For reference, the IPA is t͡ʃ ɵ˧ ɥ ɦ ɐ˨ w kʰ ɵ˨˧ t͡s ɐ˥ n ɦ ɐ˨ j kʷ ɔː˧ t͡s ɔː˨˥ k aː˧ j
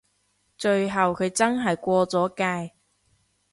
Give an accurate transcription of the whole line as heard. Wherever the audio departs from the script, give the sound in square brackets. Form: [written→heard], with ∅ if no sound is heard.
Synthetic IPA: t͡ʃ ɵ˧ ɥ ɦ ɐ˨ w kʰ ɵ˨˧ t͡s ɐ˥ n ɦ ɐ˨ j kʷ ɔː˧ t͡s ɔː˨˥ k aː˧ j